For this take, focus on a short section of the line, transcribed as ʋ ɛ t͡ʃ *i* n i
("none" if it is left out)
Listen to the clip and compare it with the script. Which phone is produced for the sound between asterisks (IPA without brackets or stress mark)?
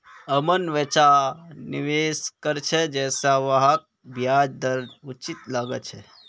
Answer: a